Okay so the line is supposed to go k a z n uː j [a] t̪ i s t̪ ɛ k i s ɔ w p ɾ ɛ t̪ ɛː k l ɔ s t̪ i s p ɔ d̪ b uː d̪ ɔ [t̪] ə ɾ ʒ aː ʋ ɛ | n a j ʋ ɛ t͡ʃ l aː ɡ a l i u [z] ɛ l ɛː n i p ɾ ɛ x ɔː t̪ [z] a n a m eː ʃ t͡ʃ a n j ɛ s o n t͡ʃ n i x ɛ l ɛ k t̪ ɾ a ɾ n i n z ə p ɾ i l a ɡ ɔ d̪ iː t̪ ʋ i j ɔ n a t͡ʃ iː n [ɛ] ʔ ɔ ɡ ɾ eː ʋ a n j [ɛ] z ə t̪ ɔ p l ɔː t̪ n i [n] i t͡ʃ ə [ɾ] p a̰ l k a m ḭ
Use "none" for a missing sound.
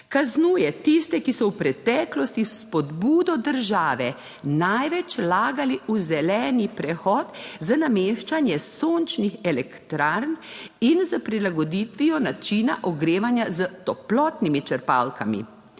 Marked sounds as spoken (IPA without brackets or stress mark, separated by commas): ɛ, d̪, z, z, a, a, m, ɾ